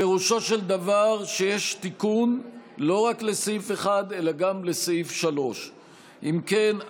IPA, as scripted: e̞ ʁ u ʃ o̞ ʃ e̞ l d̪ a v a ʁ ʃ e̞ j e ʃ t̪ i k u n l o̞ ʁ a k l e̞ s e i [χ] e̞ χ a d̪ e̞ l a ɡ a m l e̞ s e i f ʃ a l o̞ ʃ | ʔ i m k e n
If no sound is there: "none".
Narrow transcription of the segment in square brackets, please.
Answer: f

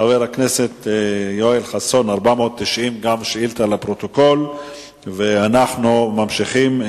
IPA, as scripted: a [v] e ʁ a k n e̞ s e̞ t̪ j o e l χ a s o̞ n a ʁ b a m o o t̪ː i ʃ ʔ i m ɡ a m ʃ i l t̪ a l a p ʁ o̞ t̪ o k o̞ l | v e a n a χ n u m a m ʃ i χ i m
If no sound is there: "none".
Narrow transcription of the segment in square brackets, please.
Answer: v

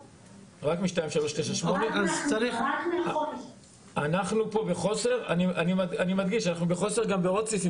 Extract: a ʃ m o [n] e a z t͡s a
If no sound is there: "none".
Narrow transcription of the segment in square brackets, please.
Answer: n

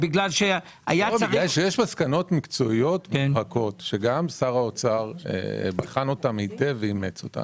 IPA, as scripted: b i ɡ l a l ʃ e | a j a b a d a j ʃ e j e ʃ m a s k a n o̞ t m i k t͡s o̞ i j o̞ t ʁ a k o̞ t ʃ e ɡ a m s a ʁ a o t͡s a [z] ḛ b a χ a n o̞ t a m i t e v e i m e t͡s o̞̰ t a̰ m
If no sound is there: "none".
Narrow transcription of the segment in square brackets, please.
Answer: ʁ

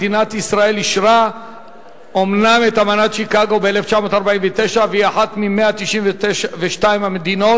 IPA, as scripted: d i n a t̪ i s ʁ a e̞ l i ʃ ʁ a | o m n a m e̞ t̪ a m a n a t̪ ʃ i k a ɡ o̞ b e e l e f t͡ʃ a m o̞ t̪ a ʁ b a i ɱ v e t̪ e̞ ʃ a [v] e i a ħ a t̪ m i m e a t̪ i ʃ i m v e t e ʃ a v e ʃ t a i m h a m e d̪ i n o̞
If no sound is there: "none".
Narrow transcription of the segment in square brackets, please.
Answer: v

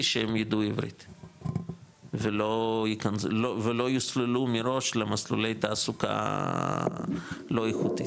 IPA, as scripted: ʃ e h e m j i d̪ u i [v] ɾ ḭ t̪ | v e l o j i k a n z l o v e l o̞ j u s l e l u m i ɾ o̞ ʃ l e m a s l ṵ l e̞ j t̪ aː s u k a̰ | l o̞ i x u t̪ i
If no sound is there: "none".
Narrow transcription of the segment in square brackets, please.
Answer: v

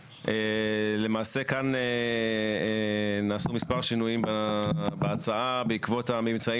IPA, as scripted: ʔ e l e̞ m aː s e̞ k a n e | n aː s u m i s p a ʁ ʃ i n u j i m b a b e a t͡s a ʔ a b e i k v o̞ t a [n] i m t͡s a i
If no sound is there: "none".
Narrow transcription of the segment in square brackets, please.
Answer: m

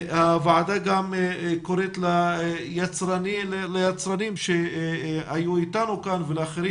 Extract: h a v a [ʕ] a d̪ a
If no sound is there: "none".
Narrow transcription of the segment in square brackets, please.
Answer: ʕ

